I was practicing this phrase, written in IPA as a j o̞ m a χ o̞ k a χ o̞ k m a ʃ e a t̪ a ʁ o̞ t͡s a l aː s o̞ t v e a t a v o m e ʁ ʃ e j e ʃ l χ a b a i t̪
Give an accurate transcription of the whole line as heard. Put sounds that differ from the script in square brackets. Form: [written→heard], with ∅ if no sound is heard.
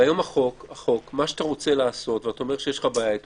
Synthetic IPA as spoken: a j o̞ m a χ o̞ k a χ o̞ k m a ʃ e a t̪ a ʁ o̞ t͡s [a→e] l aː s o̞ t v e a t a [v→∅] o m e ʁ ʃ e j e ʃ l χ a b a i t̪